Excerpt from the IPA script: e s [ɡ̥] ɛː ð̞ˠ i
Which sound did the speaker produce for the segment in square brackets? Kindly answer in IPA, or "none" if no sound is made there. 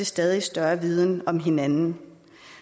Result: d̥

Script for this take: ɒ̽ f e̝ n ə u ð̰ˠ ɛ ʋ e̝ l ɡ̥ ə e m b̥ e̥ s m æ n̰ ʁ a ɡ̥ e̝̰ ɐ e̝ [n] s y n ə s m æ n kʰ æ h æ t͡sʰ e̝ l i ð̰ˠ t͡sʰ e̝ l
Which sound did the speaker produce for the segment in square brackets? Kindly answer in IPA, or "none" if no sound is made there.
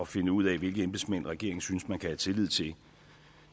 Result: ŋ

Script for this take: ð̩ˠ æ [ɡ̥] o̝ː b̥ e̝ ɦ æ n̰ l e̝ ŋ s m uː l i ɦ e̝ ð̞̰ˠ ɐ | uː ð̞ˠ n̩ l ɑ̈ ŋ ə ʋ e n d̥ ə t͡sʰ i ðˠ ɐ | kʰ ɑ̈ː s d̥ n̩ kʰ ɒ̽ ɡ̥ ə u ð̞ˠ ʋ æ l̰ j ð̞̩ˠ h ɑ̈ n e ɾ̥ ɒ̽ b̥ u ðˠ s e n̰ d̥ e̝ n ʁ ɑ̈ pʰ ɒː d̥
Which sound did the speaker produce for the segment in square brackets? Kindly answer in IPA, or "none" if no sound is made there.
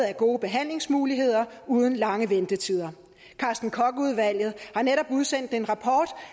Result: ɡ̥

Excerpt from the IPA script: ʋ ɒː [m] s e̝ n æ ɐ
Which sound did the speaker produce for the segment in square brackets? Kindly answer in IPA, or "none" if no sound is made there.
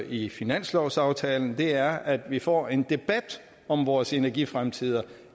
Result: none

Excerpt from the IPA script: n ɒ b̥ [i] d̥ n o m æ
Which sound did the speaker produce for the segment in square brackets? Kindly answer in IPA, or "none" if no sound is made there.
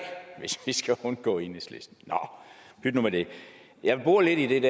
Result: y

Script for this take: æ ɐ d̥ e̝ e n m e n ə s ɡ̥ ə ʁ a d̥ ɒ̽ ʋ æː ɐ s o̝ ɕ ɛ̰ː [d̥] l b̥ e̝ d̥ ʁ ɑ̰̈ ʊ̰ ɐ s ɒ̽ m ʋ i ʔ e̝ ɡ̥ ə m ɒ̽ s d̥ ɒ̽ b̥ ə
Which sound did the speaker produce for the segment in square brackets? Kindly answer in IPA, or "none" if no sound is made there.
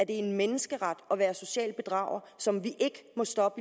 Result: none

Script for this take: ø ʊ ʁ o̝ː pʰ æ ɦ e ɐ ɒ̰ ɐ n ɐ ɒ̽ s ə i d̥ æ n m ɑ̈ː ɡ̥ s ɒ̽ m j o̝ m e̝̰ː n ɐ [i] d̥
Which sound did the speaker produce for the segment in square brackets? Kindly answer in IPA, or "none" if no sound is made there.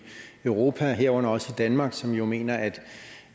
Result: æ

